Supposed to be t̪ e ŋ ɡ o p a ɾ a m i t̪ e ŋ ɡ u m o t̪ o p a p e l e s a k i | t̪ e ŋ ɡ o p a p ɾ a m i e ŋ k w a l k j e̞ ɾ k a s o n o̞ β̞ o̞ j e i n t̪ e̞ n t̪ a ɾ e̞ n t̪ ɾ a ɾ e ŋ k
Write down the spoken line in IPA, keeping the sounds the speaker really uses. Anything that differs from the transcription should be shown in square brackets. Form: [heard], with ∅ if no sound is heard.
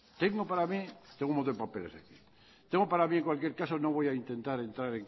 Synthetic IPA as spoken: t̪ e ŋ ɡ o p a ɾ a m i t̪ e ŋ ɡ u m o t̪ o p a p e l e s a k i | t̪ e ŋ ɡ o p a [∅] ɾ a m i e ŋ k w a l k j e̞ ɾ k a s o n o̞ β̞ o̞ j [a] i n t̪ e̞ n t̪ a ɾ e̞ n t̪ ɾ a ɾ e ŋ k